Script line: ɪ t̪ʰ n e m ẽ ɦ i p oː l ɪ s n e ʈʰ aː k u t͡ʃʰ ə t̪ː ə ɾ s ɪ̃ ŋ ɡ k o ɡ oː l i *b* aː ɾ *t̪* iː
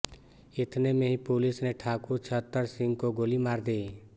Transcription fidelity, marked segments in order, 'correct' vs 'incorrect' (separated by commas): incorrect, incorrect